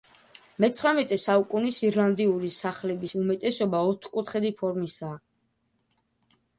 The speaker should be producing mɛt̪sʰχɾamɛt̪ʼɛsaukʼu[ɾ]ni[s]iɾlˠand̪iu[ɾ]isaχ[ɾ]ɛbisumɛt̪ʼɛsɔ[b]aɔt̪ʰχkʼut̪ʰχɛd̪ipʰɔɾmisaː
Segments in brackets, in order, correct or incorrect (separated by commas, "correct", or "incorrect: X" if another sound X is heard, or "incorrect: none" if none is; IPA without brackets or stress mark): incorrect: none, correct, correct, incorrect: l, correct